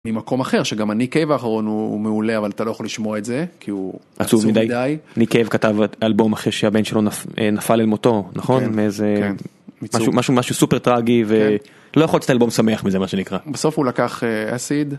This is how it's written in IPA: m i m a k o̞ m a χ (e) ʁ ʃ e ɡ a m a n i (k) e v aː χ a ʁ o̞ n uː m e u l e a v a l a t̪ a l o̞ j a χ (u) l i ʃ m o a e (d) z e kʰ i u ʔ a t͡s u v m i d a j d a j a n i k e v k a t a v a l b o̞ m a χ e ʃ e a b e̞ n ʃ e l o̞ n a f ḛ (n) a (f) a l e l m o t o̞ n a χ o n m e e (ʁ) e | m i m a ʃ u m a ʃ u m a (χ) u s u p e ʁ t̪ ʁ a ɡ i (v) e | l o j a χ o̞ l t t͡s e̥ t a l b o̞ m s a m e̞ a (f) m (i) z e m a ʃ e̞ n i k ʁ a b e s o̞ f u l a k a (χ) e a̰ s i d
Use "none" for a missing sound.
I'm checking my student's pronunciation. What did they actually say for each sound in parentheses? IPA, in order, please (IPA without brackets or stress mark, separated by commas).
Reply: e, k, o, t, n, f, z, ʃ, v, χ, i, χ